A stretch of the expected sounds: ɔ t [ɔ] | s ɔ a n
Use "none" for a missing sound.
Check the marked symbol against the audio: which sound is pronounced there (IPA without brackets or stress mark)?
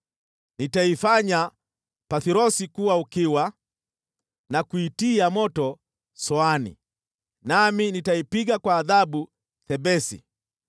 ɔ